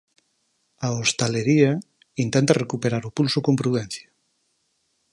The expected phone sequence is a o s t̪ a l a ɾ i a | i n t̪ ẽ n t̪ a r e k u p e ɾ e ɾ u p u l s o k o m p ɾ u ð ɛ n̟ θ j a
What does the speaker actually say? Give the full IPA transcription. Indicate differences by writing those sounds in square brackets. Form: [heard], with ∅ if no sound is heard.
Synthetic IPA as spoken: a o s t̪ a l [e] ɾ i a | i n t̪ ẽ n t̪ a r e k u p e ɾ [a] ɾ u p u l s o k o m p ɾ u ð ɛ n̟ θ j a